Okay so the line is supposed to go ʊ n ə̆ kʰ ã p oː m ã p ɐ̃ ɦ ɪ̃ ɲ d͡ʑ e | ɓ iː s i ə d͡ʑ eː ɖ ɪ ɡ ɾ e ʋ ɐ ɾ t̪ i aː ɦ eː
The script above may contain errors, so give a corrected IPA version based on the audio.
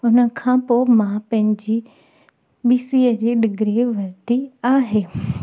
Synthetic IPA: ʊ n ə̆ kʰ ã p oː m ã p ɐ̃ ɦ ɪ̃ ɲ d͡ʑ i | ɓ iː s i ə d͡ʑ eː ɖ ɪ ɡ ɾ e ʋ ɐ ɾ t̪ i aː ɦ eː